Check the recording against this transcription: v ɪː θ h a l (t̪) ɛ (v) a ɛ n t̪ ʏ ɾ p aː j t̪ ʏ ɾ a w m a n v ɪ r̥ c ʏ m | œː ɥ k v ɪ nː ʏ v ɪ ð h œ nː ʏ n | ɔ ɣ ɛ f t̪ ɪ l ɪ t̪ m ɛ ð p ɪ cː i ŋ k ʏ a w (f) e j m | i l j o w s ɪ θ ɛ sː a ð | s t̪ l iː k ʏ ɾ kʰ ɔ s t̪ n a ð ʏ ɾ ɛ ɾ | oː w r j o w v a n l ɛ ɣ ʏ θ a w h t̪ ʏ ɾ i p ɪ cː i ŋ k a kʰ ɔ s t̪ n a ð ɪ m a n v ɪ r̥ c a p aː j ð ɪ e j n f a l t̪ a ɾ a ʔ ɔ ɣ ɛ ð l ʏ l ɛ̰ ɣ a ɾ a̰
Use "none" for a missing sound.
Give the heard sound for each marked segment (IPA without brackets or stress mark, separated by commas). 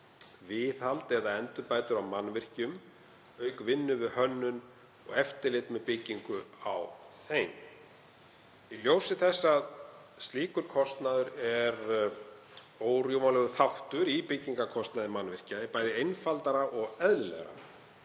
t̪, ð, θ